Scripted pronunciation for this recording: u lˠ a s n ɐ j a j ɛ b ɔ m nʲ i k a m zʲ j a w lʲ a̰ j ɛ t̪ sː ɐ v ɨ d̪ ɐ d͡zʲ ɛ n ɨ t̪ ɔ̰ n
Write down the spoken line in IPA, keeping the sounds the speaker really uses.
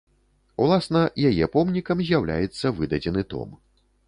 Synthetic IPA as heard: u lˠ a s n ɐ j a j ɛ p ɔ m nʲ i k ɐ m zʲ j a w lʲ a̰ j ɛ t̪ sː ɐ v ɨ d̪ ɐ d͡zʲ ɛ n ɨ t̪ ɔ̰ m